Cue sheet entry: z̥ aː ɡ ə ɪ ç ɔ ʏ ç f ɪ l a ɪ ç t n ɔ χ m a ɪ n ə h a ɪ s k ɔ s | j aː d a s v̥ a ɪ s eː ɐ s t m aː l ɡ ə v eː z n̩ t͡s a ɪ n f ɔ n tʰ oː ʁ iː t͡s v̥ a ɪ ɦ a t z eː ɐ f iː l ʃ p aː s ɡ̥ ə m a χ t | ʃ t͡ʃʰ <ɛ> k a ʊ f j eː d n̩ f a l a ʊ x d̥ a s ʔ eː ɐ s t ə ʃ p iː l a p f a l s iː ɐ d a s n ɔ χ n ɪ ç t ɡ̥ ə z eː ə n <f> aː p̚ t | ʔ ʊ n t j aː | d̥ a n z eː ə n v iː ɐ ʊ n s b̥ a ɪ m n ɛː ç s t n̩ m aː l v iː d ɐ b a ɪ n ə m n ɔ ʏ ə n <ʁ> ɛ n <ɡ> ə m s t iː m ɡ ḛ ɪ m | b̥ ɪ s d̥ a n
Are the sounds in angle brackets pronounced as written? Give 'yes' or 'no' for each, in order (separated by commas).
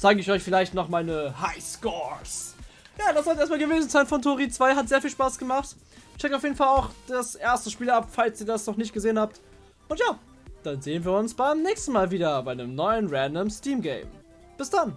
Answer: yes, no, yes, no